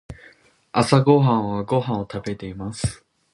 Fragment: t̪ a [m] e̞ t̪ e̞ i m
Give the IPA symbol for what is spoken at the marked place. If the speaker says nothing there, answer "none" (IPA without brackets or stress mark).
b